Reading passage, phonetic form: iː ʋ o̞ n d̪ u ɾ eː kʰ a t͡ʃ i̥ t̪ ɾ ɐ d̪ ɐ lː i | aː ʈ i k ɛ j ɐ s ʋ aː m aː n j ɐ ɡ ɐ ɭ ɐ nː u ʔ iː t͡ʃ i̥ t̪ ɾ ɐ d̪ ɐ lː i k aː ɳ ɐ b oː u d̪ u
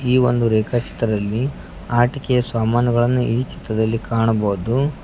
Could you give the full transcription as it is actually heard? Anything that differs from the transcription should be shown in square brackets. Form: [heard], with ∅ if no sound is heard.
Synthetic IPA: iː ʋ o̞ n d̪ u ɾ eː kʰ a t͡ʃ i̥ t̪ ɾ ɐ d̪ ɐ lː i | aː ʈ i k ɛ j ɐ s ʋ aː m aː n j ɐ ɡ ɐ ɭ ɐ nː u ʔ iː t͡ʃ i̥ t̪ ɾ ɐ d̪ ɐ lː i k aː ɳ ɐ b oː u d̪ u